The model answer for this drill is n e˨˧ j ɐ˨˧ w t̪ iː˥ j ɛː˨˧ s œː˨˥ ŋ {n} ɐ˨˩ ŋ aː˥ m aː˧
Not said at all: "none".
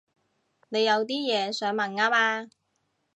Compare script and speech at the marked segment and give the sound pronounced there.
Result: m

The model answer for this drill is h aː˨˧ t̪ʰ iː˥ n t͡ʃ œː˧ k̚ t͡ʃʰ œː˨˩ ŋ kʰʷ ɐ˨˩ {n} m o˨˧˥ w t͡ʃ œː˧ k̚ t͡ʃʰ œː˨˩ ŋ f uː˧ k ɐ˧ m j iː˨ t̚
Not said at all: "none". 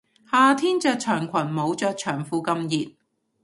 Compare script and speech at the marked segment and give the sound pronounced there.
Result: n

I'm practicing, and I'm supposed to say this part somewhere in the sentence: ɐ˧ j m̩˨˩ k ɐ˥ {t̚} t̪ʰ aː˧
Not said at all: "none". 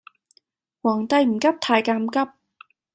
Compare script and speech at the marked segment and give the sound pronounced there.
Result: p̚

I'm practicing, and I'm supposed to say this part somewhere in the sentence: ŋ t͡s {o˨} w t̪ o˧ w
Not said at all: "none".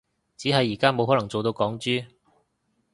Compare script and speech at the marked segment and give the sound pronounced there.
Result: o˨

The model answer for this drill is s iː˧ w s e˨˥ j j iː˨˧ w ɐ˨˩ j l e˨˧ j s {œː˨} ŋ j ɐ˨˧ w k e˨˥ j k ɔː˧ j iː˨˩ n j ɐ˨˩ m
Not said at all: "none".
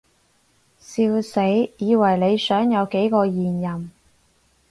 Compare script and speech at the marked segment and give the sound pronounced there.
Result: œː˨˥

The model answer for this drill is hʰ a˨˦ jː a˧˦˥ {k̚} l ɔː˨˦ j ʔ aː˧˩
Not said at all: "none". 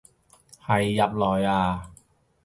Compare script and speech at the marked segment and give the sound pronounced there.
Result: p̚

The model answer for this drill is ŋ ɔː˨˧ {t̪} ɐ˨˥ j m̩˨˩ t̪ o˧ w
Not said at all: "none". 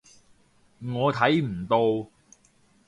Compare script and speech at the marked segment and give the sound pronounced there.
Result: t̪ʰ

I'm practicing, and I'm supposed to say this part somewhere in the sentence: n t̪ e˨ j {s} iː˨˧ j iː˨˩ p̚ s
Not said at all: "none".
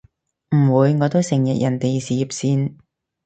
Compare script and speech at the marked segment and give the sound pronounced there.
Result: s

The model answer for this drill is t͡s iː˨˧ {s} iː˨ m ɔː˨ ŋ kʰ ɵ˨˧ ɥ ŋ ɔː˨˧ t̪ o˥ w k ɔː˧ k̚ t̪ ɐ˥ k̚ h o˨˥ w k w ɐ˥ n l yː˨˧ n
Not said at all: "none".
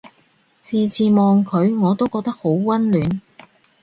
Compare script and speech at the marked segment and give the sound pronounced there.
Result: t͡s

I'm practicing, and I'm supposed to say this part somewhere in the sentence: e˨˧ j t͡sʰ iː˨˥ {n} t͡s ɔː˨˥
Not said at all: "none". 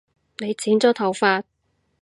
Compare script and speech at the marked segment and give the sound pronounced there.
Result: n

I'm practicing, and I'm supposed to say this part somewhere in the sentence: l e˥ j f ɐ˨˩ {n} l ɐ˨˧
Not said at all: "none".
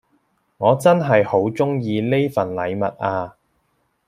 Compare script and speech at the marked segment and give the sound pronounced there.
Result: n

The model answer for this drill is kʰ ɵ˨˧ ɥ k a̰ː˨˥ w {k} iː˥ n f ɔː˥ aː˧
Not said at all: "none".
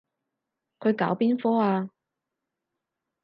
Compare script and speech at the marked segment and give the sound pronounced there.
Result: p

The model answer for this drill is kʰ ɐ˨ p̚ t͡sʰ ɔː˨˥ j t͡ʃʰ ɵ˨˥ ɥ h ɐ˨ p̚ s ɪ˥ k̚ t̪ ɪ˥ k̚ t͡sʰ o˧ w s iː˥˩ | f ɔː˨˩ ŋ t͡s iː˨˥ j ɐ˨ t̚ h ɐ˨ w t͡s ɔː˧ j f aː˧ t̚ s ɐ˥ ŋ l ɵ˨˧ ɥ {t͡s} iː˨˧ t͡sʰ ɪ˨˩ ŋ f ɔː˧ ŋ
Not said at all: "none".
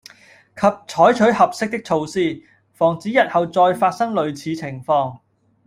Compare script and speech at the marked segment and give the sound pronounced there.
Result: t͡sʰ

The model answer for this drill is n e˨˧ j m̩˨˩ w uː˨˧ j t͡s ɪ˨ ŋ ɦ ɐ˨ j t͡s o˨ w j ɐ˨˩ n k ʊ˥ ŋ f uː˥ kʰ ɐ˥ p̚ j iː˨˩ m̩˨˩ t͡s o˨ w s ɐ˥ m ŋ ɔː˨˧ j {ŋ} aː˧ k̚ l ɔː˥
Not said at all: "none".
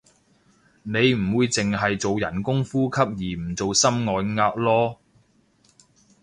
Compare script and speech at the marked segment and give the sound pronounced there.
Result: ŋ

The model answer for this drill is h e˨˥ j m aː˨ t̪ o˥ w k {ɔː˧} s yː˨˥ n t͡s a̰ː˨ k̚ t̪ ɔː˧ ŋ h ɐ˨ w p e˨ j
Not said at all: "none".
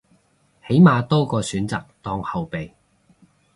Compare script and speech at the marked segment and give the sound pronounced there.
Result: ɔː˧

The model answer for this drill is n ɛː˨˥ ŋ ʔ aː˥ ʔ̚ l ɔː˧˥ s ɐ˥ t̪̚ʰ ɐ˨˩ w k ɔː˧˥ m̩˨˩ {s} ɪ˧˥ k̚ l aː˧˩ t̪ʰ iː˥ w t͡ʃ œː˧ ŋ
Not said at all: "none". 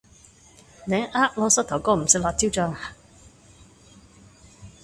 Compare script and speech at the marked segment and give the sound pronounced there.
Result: s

